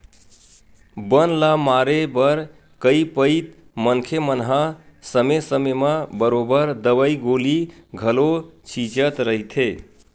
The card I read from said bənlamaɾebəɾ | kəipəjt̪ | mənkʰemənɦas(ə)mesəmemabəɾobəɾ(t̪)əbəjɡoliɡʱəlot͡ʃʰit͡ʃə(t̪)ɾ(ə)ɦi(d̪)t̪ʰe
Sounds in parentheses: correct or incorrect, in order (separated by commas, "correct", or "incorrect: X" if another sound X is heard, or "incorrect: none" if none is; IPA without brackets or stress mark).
correct, incorrect: d̪, correct, correct, incorrect: none